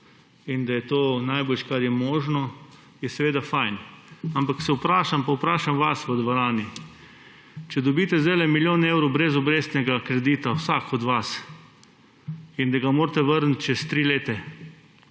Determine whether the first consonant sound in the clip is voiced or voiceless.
voiced